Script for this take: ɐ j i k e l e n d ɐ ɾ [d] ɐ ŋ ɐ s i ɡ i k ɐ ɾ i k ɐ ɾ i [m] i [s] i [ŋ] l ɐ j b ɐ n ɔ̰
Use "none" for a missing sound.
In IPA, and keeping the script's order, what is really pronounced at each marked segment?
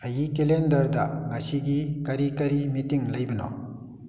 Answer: d, m, t, ŋ

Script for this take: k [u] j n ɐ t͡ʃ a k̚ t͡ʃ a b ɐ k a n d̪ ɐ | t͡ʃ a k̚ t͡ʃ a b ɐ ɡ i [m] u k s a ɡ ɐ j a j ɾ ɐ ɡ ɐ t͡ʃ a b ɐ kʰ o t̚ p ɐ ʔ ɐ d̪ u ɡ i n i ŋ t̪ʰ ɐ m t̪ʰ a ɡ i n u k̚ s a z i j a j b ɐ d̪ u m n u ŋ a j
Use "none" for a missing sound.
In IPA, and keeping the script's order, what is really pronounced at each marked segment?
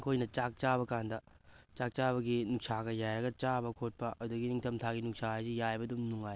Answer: o, n

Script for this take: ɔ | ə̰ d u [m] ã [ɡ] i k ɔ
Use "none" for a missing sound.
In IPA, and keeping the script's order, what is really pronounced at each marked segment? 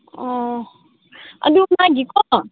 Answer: m, ɡ

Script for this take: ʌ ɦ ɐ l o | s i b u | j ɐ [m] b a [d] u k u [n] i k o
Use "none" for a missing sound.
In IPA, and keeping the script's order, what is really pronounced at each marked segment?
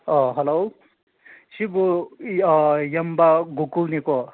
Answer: m, ɡ, n

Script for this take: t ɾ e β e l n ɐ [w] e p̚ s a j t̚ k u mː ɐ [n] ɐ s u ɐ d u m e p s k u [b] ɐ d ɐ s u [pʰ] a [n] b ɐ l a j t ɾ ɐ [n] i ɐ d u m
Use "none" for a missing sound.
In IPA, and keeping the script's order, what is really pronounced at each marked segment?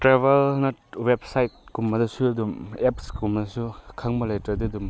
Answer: w, d, m, kʰ, ŋ, d

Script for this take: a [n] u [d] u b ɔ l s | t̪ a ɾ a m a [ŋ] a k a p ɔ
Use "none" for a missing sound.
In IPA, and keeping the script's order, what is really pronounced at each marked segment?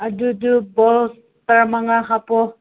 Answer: d, d, ŋ

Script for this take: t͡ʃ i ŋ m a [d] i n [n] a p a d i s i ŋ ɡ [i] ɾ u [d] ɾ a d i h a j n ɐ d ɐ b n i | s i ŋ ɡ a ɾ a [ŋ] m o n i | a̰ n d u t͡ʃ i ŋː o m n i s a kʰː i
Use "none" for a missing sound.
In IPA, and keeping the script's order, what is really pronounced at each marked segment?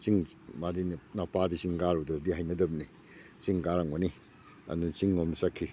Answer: d, n, a, d, ŋ

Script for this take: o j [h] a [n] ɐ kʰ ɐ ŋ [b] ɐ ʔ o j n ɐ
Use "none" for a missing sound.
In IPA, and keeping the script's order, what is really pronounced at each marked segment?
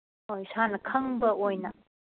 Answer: s, n, b

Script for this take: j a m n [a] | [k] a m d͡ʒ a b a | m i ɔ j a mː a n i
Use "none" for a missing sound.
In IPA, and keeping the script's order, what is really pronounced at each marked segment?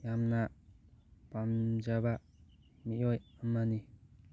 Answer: a, p

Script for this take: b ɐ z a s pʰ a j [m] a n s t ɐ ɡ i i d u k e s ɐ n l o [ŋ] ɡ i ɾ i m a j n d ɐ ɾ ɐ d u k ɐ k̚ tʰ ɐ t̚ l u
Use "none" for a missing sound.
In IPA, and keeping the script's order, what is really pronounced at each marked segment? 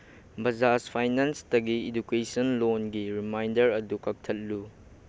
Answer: n, n

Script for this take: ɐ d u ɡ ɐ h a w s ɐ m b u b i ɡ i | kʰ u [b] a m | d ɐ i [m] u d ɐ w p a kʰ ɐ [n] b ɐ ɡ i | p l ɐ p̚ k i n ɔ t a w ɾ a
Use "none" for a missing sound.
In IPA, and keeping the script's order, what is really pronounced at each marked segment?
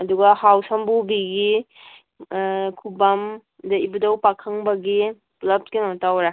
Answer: b, b, ŋ

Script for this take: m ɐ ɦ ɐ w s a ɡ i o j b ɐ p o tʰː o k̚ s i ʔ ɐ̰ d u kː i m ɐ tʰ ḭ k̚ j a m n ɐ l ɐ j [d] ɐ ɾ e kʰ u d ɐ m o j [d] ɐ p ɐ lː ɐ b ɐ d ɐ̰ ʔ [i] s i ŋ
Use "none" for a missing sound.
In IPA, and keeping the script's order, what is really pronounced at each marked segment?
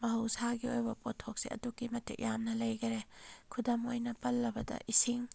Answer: ɡ, n, i

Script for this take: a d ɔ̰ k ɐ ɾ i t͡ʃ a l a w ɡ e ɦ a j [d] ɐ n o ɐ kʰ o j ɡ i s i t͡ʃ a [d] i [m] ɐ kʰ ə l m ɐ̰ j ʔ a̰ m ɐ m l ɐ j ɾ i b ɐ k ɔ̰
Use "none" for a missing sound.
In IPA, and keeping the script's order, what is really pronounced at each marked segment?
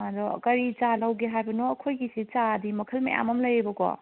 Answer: b, d, m

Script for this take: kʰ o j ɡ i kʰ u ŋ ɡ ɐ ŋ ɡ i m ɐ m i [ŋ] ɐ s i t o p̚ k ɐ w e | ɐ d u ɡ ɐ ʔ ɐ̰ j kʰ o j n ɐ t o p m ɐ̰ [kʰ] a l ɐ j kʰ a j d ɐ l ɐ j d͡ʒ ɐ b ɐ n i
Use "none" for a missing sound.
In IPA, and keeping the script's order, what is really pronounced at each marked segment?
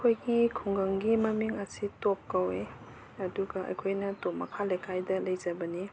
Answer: ŋ, kʰ

